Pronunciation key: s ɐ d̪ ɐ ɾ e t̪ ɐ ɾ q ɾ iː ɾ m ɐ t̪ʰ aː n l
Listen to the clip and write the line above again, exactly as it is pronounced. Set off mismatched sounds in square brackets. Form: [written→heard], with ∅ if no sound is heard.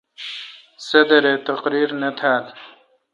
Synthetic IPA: s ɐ d̪ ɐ ɾ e t̪ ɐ [ɾ→∅] q ɾ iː ɾ [m→n] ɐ t̪ʰ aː [n→∅] l

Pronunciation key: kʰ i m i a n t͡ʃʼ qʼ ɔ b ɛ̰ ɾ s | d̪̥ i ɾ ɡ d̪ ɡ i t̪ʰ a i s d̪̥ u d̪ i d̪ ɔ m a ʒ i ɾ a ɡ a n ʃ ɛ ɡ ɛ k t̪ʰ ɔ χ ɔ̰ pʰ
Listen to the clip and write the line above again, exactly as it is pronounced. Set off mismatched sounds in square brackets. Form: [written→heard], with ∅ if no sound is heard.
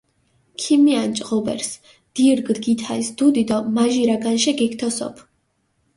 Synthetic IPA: kʰ i m i a n t͡ʃʼ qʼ ɔ b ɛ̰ ɾ s | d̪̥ i ɾ ɡ d̪ ɡ i t̪ʰ a i s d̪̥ u d̪ i d̪ ɔ m a ʒ i ɾ a ɡ a n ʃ ɛ ɡ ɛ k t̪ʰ ɔ [χ→s] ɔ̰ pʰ

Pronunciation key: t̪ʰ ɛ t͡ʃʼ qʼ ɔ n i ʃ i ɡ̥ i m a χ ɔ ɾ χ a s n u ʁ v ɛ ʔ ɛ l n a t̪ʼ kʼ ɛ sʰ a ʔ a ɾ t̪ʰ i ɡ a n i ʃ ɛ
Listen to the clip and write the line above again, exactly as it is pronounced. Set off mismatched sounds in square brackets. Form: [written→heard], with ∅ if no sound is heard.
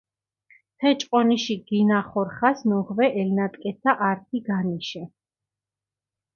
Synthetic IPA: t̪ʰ ɛ t͡ʃʼ qʼ ɔ n i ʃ i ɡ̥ i [m→n] a χ ɔ ɾ χ a s n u ʁ v ɛ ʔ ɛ l n a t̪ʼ kʼ ɛ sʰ a ʔ a ɾ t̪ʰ i ɡ a n i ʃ ɛ

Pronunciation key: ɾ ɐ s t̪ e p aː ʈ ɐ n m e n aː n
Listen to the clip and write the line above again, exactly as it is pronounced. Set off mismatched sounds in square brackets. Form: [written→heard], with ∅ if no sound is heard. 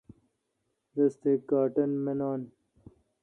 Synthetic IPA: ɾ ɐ s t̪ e [p→k] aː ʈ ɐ n m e n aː n

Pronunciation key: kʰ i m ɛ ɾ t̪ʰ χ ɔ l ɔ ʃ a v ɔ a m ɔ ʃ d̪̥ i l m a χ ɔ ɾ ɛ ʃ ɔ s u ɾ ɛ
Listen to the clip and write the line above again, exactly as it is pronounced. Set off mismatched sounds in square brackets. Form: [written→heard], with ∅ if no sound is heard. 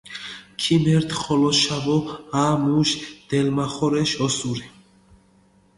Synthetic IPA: kʰ i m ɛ ɾ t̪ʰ χ ɔ l ɔ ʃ a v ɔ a m [ɔ→u] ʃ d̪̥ [i→ɛ] l m a χ ɔ ɾ ɛ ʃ ɔ s u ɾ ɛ

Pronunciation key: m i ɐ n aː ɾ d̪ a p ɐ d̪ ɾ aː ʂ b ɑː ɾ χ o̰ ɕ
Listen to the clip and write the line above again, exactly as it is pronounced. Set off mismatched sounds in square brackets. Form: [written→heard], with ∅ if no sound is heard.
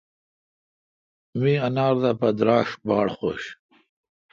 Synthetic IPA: m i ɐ n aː ɾ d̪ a p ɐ d̪ ɾ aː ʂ b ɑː [ɾ→ɽ] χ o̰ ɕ

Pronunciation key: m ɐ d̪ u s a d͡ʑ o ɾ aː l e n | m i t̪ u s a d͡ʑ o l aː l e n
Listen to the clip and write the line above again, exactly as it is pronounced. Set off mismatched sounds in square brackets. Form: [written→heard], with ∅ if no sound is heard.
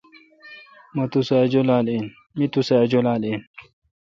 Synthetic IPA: m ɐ [d̪→t̪] u s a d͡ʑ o [ɾ→l] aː l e n | m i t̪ u s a d͡ʑ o l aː l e n

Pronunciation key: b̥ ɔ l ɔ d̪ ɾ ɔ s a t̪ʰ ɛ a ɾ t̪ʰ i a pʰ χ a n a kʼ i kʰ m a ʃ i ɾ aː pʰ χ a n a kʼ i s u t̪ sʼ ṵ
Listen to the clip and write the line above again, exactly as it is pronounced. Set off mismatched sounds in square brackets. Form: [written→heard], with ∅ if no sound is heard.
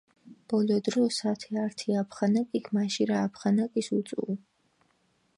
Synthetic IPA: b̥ ɔ l ɔ d̪ ɾ ɔ s a t̪ʰ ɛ a ɾ t̪ʰ i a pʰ χ a n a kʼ i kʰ m a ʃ i ɾ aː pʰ χ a n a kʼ i s u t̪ sʼ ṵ

